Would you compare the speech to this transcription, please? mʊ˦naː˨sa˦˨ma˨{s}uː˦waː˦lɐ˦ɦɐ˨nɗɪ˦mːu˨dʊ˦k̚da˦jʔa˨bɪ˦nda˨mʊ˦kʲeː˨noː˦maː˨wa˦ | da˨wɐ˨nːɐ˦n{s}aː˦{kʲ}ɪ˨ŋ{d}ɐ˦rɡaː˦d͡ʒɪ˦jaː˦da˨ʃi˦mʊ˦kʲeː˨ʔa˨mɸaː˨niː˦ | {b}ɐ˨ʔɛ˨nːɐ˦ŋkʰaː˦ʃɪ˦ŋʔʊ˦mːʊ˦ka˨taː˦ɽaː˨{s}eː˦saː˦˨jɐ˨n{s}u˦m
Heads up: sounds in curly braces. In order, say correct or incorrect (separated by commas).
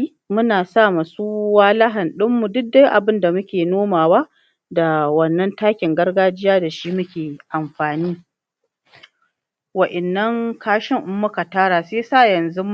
correct, incorrect, correct, incorrect, incorrect, correct, incorrect